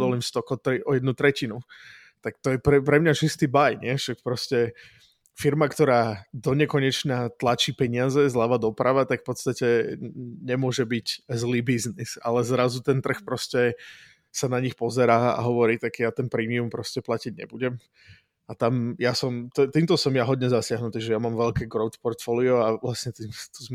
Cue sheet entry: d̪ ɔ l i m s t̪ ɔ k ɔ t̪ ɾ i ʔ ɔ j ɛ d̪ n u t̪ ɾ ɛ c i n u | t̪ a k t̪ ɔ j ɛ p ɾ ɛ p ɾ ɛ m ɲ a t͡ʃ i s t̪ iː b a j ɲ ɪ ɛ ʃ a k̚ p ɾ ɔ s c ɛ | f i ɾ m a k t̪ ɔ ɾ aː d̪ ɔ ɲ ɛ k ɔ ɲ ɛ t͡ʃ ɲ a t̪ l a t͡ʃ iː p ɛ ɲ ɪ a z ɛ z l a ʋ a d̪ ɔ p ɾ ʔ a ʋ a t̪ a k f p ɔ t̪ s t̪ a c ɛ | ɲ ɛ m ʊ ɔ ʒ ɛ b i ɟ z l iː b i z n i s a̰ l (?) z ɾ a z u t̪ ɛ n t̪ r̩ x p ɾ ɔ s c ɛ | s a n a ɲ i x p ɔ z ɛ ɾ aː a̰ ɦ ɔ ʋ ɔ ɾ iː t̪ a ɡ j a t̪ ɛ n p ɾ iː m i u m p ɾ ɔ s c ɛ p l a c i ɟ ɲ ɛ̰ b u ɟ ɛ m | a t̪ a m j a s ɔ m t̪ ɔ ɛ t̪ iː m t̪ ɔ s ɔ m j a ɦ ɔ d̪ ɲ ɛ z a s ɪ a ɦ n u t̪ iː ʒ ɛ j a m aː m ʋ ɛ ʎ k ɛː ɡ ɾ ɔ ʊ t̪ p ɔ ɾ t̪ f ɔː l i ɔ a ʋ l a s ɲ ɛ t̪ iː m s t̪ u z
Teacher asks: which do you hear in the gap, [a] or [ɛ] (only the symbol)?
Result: ɛ